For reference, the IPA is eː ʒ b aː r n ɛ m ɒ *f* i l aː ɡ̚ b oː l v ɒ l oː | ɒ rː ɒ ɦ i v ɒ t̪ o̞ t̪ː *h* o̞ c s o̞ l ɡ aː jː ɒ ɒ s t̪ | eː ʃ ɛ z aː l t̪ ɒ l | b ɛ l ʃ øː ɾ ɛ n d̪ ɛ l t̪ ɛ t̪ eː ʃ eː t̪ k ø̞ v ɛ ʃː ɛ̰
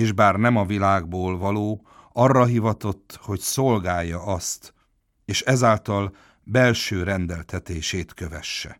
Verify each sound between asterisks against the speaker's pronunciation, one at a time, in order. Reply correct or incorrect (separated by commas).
incorrect, correct